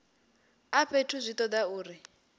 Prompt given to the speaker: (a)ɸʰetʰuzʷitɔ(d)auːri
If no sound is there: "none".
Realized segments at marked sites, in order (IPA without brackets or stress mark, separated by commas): a, d